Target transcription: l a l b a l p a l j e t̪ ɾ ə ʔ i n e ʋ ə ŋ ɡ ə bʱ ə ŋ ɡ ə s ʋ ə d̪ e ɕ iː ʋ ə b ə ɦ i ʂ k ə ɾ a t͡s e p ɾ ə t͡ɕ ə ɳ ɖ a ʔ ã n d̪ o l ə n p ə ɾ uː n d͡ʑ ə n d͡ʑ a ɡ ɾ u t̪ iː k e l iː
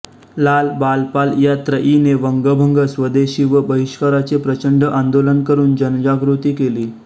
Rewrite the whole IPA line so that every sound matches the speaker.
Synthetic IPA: l a l b a l p a l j a t̪ ɾ ə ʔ i n e ʋ ə ŋ ɡ ə bʱ ə ŋ ɡ ə s ʋ ə d̪ e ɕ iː ʋ ə b ə ɦ i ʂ k ə ɾ a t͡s e p ɾ ə t͡ɕ ə ɳ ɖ ə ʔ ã n d̪ o l ə n k ə ɾ uː n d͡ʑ ə n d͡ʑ a ɡ ɾ u t̪ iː k e l iː

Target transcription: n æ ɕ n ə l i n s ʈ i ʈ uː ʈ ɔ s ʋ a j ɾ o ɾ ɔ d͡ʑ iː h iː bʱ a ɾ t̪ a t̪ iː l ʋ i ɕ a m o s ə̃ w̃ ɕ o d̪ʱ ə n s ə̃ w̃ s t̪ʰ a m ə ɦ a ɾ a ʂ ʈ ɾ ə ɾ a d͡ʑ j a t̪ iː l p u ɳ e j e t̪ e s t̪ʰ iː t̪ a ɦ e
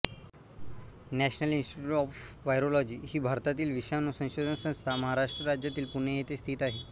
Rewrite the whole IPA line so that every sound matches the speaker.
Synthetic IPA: n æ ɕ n ə l i n s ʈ i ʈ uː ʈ ɔ f ʋ a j ɾ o l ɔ d͡ʑ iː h iː bʱ a ɾ t̪ a t̪ iː l ʋ i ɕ a n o s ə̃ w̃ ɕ o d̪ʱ ə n s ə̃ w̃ s t̪ʰ a m ə ɦ a ɾ a ʂ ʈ ɾ ə ɾ a d͡ʑ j a t̪ iː l p u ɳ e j e t̪ e s t̪ʰ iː t̪ a ɦ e

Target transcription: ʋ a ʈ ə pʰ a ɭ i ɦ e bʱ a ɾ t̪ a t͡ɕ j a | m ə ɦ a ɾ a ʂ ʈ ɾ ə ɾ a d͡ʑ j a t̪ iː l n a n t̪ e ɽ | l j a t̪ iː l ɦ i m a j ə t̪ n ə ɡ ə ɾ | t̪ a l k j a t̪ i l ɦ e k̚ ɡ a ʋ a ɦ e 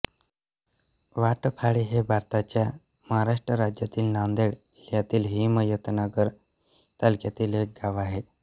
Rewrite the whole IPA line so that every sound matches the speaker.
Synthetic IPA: ʋ a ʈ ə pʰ a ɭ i ɦ e bʱ a ɾ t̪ a t͡ɕ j a | m ə ɦ a ɾ a ʂ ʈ ɾ ə ɾ a d͡ʑ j a t̪ iː l n a n d̪ e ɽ | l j a t̪ iː l ɦ i m ə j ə t̪ n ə ɡ ə ɾ | t̪ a l k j a t̪ iː l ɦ e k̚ ɡ a ʋ a ɦ e

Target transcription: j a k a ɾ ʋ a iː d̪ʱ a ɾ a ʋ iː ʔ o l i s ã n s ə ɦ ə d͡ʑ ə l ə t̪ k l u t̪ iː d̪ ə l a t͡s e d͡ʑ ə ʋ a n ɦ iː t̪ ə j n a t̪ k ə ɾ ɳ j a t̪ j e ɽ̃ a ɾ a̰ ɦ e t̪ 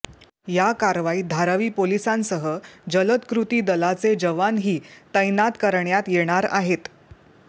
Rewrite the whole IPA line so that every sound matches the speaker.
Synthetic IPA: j a k a ɾ ʋ a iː d̪ʱ a ɾ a ʋ iː p o l i s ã n s ə ɦ ə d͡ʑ ə l ə t̪ k ɾ u t̪ iː d̪ ə l a t͡s e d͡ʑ ə ʋ a n ɦ iː t̪ ə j n a t̪ k ə ɾ ɳ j a t̪ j e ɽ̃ a ɾ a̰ ɦ e t̪

